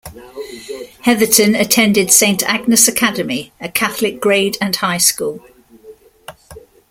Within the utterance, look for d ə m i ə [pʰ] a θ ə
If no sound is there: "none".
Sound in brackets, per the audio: kʰ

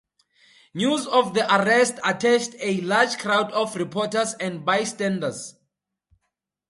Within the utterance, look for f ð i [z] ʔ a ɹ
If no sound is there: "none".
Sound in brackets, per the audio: none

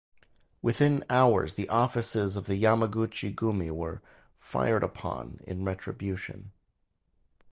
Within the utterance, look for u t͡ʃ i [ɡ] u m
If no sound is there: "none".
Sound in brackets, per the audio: ɡ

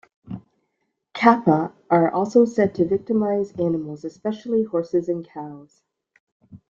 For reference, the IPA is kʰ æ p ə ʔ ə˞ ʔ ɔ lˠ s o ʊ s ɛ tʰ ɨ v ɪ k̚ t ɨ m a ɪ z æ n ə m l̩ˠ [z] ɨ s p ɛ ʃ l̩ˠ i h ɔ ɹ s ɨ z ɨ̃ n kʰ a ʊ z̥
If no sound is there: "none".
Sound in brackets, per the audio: z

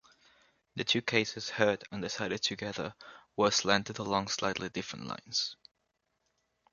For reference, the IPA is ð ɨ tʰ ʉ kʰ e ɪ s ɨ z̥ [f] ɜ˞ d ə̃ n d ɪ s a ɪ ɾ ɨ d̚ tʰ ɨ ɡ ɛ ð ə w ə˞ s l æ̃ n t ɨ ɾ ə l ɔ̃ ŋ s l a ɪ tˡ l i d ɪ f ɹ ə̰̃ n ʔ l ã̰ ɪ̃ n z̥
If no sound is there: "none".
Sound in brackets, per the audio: h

